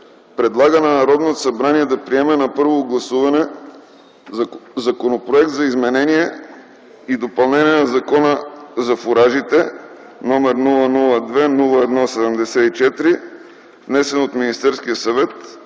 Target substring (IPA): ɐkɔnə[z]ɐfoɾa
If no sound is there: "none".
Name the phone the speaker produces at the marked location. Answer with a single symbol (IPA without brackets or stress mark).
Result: z